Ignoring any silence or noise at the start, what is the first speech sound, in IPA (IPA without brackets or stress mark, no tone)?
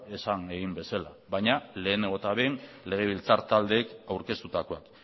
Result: e̞